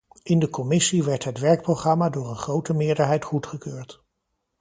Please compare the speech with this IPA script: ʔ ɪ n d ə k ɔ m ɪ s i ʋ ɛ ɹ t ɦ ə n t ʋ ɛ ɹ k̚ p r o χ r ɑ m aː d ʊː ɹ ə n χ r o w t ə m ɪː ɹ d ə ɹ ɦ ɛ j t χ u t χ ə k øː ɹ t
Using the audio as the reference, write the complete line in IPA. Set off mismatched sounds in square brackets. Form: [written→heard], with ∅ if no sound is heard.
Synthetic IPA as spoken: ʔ ɪ n d ə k ɔ m ɪ s i ʋ ɛ ɹ t ɦ ə [n→∅] t ʋ ɛ ɹ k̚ p r o χ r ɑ m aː d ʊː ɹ ə n χ r o w t ə m ɪː ɹ d ə ɹ ɦ ɛ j t χ u t χ ə k øː ɹ t